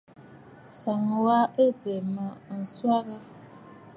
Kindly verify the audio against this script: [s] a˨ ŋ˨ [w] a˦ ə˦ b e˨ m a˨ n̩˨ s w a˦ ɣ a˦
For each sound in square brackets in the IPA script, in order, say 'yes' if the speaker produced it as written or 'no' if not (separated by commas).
yes, yes